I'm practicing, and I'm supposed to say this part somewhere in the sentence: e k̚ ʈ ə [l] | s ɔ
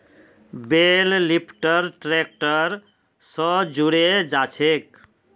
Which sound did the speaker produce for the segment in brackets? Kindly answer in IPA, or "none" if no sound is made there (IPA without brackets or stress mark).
ɾ